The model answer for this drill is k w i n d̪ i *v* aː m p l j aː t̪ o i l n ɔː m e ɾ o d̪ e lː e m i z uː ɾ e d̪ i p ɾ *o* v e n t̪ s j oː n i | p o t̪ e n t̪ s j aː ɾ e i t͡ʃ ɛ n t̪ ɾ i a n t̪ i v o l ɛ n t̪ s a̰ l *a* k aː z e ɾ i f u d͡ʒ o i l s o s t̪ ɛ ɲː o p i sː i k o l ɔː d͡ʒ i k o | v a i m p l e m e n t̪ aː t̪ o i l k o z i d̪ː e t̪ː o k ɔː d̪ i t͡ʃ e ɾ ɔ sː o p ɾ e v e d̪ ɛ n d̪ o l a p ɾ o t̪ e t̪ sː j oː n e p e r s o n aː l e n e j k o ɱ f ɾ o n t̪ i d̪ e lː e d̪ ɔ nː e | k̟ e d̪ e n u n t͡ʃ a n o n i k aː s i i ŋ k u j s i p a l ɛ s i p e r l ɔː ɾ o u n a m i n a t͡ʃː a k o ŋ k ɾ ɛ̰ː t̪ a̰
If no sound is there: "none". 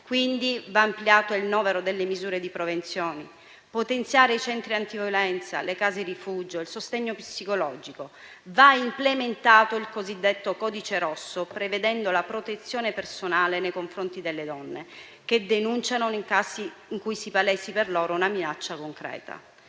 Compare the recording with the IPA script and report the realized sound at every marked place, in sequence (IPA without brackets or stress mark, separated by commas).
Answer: v, o, e